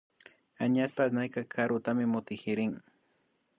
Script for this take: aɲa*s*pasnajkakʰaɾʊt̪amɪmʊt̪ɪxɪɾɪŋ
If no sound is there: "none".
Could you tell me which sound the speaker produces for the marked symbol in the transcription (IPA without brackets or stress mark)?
s